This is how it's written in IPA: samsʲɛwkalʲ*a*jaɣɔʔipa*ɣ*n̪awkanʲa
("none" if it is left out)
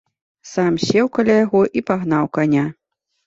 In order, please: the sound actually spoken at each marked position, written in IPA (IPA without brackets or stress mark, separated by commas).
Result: a, ɣ